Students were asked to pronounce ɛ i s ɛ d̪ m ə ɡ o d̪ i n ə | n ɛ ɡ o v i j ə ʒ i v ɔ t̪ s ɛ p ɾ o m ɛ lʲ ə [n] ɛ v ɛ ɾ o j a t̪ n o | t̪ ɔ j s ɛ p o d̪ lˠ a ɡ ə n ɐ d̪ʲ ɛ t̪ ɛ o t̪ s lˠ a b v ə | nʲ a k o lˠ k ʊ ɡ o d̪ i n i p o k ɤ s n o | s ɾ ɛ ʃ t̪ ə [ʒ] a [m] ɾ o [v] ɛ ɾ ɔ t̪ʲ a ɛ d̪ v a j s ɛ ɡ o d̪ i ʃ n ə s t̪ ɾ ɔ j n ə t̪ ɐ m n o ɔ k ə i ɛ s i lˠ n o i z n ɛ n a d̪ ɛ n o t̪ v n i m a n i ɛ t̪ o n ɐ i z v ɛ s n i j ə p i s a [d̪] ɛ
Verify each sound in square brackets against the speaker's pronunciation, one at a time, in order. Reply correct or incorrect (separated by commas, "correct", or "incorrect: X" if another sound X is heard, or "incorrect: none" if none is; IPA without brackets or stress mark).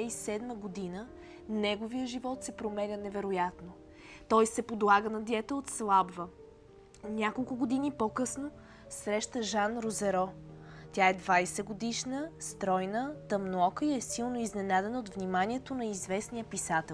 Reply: correct, correct, incorrect: n, incorrect: z, incorrect: t̪